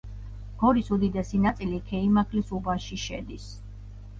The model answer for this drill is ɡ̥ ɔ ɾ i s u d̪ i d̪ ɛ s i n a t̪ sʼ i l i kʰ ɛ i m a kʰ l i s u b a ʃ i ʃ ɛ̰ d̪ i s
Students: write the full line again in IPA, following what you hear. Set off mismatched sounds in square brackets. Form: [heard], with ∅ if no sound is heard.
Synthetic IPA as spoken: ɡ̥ ɔ ɾ i s u d̪ i d̪ ɛ s i n a t̪ sʼ i l i kʰ ɛ i m a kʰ l i s u b a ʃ i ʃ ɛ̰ d̪ i s